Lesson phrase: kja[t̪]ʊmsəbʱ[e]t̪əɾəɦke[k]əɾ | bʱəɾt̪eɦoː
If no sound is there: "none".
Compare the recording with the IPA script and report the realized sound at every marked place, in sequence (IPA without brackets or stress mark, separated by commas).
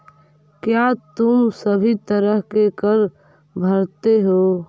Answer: t̪, i, k